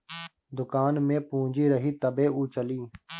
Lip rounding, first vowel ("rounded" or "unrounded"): rounded